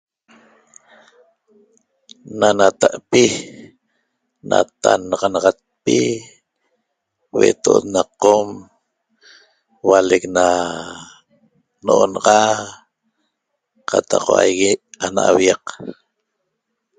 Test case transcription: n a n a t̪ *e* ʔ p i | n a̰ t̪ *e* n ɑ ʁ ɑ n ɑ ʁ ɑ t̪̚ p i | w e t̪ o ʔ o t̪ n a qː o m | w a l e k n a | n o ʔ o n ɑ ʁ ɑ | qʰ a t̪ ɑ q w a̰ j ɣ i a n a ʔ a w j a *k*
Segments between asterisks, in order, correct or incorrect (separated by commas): incorrect, incorrect, incorrect